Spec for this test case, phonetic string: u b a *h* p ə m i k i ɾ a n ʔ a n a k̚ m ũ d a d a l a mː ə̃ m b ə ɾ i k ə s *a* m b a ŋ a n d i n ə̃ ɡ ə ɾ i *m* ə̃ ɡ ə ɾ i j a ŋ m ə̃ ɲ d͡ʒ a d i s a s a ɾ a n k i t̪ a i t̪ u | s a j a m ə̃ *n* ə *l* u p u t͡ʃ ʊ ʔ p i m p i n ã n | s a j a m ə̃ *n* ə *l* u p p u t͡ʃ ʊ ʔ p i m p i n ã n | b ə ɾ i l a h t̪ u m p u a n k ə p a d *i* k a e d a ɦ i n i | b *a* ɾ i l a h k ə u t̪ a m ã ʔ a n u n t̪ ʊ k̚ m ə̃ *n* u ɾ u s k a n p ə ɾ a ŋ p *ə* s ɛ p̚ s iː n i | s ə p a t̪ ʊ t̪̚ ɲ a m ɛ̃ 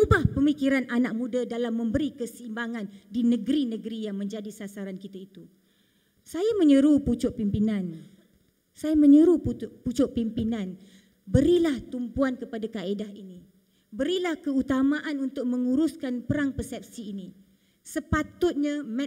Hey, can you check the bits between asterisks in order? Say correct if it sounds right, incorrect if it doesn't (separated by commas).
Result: correct, incorrect, incorrect, incorrect, incorrect, incorrect, incorrect, incorrect, incorrect, incorrect, correct